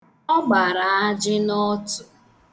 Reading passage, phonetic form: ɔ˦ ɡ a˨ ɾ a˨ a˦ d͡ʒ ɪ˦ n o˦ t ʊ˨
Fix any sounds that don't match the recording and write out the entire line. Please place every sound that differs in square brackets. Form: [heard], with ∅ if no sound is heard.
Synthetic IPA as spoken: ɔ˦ [ɡ͡b] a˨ ɾ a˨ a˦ d͡ʒ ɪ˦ n [ɔ˦] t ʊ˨